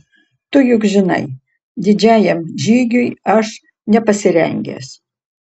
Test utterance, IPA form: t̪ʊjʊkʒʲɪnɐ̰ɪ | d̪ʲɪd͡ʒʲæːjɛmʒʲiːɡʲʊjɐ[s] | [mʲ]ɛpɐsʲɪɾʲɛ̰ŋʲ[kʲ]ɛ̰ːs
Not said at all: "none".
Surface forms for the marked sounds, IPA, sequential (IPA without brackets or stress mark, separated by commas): ʃ, nʲ, ɡʲ